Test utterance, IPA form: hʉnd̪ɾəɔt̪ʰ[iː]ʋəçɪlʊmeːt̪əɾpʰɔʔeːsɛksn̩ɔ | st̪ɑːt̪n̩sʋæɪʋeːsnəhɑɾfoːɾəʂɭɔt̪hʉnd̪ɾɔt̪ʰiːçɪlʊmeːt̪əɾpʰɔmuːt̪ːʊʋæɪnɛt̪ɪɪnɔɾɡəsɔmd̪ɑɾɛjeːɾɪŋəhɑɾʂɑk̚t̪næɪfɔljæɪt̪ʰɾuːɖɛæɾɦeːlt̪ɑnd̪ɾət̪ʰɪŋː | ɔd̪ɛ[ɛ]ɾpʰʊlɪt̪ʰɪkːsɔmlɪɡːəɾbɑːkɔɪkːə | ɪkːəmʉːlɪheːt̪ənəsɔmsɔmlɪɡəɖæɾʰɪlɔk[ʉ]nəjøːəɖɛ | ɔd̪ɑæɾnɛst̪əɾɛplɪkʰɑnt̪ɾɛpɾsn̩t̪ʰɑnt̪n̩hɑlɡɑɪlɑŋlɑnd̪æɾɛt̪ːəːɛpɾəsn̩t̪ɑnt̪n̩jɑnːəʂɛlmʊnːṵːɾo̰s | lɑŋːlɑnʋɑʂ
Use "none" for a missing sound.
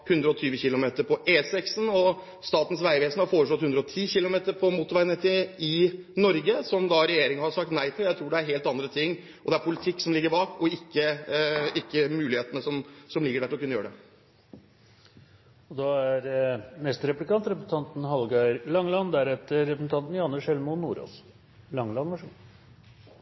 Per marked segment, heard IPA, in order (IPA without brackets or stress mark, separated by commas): yː, æ, ʉ